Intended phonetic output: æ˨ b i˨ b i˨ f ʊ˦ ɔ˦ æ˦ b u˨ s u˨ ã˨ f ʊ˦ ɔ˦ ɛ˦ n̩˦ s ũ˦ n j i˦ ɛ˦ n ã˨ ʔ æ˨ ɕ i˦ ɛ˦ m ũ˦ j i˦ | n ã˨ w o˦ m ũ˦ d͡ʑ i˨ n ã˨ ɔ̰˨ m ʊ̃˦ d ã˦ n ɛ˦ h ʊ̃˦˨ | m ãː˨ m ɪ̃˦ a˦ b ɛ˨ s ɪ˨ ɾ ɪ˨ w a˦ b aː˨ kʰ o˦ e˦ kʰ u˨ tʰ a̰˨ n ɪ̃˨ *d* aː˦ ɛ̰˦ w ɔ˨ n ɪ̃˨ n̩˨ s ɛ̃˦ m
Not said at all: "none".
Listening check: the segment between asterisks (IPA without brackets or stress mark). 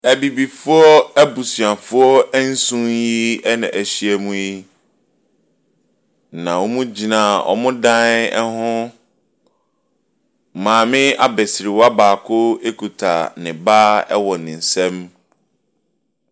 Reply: b